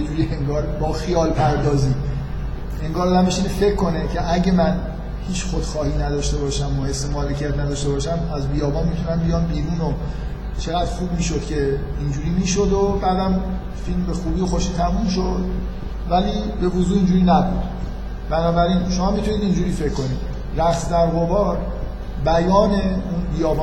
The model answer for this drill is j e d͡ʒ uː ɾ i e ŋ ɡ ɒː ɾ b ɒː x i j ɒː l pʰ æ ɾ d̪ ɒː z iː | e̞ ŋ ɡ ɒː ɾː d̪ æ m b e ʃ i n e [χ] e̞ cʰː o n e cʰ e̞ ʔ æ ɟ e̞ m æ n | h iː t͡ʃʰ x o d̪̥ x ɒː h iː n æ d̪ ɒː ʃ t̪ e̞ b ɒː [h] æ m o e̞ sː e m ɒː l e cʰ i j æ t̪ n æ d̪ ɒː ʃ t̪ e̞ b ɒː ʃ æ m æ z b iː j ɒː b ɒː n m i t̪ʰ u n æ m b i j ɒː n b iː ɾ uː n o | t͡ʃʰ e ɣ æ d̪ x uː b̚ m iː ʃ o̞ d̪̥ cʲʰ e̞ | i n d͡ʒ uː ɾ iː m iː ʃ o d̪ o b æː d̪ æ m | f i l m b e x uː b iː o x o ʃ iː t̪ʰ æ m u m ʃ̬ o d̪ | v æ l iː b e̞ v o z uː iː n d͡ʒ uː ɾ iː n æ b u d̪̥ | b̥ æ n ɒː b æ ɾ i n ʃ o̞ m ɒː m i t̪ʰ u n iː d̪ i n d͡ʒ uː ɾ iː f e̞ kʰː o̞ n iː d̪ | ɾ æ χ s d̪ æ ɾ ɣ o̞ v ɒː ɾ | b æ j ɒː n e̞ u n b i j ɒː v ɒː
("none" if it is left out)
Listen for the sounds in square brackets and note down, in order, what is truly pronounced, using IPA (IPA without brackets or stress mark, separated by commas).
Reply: f, ʃ